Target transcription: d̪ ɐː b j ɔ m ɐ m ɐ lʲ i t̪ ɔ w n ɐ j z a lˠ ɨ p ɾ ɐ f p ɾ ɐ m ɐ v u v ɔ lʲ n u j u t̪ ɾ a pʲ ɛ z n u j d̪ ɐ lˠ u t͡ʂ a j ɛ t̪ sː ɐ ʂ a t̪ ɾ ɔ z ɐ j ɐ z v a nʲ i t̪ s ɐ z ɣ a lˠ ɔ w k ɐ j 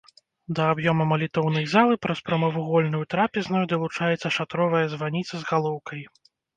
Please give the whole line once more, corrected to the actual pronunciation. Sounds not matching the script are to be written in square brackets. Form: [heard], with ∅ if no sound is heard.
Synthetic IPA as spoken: d̪ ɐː b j ɔ m ɐ m ɐ lʲ i t̪ ɔ w n ɐ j z a lˠ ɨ p ɾ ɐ [s] p ɾ ɐ m ɐ v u [ɣ] ɔ lʲ n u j u t̪ ɾ a pʲ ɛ z n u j d̪ ɐ lˠ u t͡ʂ a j ɛ t̪ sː ɐ ʂ a t̪ ɾ ɔ [v] ɐ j ɐ z v a nʲ i t̪ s ɐ z ɣ a lˠ ɔ w k ɐ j